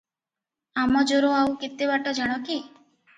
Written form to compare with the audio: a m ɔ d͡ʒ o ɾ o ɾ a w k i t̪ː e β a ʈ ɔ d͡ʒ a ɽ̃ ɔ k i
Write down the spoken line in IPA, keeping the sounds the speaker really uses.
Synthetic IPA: a m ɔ d͡ʒ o ɾ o a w k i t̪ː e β a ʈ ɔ d͡ʒ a ɽ̃ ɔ k i